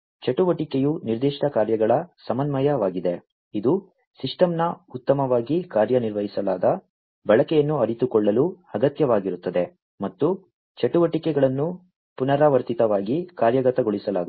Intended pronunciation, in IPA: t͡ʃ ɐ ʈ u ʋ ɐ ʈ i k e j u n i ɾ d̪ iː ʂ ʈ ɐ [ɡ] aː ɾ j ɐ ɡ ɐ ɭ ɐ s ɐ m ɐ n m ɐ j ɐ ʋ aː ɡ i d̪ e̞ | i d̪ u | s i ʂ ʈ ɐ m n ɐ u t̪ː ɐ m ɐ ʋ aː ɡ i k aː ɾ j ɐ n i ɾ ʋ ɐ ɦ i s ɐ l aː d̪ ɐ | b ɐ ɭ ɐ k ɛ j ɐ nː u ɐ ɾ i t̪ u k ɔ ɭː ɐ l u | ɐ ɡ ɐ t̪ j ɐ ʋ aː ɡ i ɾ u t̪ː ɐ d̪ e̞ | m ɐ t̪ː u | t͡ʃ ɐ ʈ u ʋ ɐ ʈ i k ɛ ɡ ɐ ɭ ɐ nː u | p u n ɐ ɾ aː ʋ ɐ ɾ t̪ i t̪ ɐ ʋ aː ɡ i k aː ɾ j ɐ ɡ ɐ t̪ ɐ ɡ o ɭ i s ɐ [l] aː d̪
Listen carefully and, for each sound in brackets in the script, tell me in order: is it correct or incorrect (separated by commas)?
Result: incorrect, correct